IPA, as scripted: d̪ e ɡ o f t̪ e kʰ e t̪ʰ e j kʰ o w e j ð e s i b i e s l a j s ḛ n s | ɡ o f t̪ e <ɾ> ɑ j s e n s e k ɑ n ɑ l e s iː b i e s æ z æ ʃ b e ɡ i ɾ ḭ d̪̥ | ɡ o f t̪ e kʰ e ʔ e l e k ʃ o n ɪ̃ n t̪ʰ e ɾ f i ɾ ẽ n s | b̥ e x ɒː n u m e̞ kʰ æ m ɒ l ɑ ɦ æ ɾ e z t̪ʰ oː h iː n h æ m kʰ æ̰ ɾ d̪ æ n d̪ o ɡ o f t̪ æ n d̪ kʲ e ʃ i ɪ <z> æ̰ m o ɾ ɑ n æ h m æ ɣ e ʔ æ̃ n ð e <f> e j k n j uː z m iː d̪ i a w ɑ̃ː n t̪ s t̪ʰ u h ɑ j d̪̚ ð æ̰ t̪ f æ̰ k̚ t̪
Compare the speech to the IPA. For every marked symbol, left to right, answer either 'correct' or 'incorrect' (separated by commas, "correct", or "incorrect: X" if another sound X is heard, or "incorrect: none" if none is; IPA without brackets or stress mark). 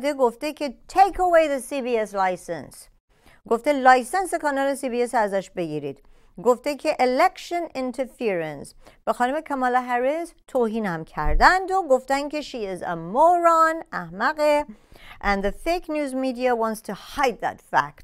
incorrect: l, correct, correct